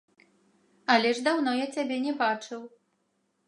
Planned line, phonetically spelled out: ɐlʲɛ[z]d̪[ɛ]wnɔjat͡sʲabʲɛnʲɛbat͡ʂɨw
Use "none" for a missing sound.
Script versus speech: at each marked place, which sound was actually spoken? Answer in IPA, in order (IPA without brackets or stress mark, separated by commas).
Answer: ʐ, a